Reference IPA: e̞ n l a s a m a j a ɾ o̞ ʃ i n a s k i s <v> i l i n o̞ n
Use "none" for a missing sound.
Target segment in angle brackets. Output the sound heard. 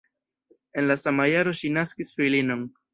f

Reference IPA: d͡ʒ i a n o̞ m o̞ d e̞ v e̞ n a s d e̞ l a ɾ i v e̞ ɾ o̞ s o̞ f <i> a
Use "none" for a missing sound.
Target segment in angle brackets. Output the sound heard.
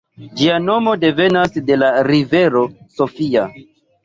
i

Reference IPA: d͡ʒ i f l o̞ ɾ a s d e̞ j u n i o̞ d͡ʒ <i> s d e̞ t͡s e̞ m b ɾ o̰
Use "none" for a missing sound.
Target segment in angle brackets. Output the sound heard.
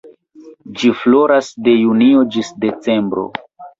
i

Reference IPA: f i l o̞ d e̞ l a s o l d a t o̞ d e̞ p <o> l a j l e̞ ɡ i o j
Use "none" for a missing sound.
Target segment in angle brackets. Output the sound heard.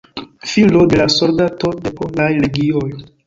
o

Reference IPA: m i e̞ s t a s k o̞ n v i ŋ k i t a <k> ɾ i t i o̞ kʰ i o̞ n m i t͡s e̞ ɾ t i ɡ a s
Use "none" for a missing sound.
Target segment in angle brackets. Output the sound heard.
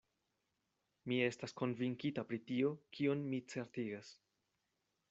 p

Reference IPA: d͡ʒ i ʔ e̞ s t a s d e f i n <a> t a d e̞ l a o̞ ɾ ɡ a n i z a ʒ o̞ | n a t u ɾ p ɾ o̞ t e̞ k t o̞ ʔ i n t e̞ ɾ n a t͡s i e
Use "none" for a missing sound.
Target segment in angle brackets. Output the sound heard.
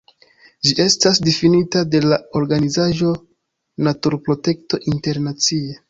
i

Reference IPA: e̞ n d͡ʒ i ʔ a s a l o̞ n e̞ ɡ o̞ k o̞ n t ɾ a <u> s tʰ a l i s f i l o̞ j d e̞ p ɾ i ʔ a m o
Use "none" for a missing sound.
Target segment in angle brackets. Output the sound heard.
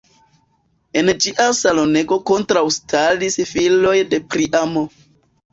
w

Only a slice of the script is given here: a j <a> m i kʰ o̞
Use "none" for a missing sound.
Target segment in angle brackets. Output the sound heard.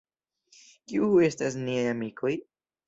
a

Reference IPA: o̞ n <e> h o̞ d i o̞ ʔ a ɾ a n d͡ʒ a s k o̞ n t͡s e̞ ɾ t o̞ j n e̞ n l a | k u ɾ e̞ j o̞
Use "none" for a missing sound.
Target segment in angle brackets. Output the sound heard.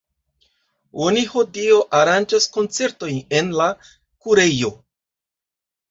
i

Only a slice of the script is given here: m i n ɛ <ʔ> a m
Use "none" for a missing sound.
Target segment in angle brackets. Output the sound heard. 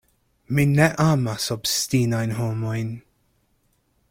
ʔ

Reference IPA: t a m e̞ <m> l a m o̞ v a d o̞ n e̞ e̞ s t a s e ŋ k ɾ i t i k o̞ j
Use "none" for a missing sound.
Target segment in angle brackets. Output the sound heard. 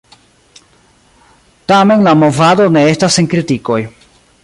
n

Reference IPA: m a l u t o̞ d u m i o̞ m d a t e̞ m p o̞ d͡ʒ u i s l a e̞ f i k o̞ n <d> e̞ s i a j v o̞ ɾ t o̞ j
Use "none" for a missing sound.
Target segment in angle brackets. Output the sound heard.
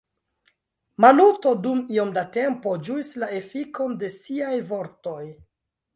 d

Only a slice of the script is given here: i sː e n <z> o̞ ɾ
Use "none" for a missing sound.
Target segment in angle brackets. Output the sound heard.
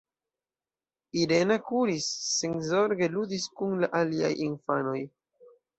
z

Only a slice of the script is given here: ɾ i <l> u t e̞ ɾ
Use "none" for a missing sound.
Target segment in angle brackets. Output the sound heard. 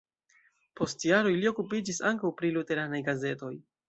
l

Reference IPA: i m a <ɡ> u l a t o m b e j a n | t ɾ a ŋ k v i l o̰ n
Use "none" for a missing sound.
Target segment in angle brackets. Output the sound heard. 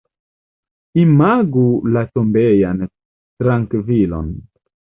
ɡ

